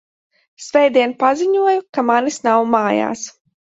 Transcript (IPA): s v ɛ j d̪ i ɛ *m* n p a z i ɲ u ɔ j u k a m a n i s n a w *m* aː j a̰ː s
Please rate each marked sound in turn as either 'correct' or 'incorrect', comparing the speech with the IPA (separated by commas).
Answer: incorrect, correct